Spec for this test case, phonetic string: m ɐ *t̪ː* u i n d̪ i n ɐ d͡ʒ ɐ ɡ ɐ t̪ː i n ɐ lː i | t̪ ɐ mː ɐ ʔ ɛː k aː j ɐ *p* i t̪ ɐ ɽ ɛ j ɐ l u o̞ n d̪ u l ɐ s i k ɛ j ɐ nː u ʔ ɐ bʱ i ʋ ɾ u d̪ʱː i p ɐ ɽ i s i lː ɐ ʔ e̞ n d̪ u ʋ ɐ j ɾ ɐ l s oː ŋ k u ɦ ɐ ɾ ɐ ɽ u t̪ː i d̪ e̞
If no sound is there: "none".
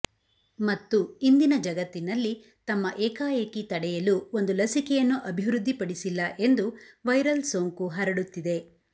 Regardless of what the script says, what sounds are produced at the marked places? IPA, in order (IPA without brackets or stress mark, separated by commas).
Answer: t̪ː, k